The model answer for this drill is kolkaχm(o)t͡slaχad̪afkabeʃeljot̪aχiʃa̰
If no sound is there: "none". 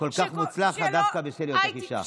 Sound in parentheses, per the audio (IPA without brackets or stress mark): u